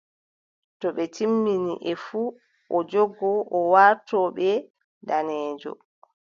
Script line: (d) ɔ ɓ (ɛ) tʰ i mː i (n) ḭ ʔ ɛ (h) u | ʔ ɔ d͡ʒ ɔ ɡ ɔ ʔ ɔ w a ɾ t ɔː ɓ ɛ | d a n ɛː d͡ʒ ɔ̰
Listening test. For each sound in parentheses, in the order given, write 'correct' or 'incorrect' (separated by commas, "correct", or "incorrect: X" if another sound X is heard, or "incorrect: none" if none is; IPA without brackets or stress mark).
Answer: incorrect: t, correct, correct, incorrect: f